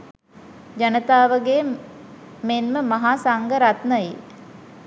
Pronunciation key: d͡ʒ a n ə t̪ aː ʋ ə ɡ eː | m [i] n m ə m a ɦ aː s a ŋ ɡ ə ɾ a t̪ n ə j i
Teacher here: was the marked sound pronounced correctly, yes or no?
no